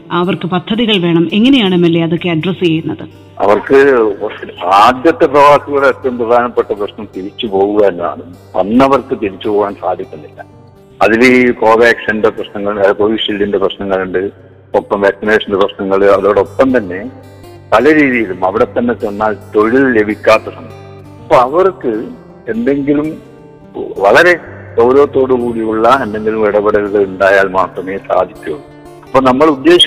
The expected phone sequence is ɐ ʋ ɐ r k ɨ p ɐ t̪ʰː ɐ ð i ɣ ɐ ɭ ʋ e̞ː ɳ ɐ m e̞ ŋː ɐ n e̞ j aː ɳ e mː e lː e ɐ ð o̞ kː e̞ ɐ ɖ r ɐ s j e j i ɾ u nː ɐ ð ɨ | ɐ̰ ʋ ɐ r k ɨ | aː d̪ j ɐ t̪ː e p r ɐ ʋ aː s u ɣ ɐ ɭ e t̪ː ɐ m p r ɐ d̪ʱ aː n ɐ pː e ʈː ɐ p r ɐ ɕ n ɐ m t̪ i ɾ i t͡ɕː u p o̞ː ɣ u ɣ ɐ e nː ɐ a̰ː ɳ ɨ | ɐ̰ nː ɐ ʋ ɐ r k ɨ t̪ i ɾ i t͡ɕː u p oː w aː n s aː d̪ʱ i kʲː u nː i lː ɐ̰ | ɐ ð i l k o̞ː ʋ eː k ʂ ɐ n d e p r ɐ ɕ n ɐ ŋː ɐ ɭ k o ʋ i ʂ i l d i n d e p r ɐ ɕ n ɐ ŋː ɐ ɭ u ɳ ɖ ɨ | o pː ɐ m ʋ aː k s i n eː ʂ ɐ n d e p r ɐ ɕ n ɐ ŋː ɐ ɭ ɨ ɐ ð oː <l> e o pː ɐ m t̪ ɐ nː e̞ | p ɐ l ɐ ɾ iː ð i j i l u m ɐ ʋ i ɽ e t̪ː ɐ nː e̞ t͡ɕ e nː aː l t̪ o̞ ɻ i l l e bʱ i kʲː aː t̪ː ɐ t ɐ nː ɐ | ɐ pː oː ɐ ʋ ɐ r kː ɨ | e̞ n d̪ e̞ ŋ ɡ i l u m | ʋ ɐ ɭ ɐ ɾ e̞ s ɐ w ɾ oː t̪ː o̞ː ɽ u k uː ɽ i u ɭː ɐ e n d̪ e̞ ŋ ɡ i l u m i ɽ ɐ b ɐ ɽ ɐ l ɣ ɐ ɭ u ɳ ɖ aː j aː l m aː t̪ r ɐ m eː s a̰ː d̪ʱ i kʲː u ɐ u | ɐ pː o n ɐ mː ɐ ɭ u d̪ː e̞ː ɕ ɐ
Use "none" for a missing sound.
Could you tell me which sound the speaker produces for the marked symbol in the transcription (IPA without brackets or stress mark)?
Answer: ɽ